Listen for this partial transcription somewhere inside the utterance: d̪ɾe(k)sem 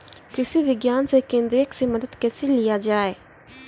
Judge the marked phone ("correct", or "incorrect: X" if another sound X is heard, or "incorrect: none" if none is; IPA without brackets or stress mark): correct